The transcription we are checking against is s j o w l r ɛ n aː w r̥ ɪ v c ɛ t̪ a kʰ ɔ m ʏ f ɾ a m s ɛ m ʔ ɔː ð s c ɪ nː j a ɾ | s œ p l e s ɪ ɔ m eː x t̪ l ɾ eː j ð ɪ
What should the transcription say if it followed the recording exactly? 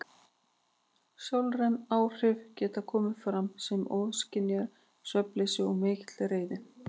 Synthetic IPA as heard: s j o w l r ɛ n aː w r̥ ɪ v c ɛː t̪ a kʰ ɔː m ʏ f ɾ a m s ɛ m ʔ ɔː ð s c ɪ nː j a ɾ | s œ p l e s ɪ ɔ m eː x t̪ l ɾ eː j ð ɪ